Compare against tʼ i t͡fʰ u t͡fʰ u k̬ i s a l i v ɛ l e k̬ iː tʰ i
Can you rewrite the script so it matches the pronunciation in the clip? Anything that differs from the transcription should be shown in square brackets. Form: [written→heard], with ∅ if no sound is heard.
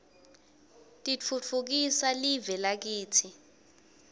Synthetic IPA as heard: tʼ i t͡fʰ u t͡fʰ u k̬ i s a l i v ɛ l [e→a] k̬ iː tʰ i